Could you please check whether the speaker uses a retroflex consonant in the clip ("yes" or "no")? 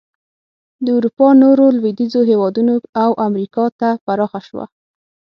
no